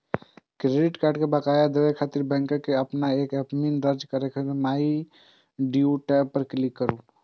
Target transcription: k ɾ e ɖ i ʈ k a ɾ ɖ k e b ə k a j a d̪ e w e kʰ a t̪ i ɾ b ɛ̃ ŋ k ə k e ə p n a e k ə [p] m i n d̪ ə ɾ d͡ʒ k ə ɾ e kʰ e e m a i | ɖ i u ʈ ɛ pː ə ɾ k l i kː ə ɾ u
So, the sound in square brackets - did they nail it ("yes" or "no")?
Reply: yes